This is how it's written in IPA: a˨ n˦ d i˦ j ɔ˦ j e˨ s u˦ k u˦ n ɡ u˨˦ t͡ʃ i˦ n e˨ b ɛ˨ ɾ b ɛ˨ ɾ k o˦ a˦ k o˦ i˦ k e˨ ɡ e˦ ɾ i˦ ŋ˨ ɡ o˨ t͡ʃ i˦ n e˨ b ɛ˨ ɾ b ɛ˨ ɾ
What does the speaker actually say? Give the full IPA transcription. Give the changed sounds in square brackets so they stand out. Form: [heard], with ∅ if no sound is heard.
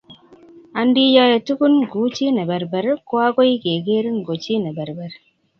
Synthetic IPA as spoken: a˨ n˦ d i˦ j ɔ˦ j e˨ [t] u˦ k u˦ n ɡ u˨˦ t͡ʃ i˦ n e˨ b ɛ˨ ɾ b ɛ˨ ɾ k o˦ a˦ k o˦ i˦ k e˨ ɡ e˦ ɾ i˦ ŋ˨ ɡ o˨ t͡ʃ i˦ n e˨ b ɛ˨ ɾ b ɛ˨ ɾ